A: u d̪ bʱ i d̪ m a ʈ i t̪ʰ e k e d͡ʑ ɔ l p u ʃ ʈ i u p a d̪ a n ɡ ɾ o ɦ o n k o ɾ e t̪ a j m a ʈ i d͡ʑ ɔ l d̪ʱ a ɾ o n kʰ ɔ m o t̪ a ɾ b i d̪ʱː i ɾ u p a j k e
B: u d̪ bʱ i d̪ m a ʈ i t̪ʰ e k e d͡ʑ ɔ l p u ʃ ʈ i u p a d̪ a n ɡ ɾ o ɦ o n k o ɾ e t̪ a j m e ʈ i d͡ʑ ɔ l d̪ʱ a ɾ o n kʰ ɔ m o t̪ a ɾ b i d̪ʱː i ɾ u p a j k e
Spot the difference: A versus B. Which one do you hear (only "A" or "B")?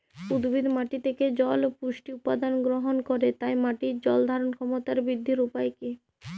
A